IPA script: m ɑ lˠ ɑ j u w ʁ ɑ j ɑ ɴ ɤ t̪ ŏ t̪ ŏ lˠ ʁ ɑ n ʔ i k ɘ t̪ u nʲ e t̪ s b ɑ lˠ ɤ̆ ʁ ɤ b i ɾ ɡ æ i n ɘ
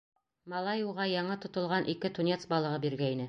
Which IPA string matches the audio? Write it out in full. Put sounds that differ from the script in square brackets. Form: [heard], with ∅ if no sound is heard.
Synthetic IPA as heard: m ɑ lˠ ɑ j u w ʁ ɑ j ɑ ɴ ɤ t̪ ŏ t̪ ŏ lˠ ʁ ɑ n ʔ i k ɘ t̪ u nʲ e t̪ s b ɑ lˠ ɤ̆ ʁ ɤ b i ɾ ɡ æ i n ɘ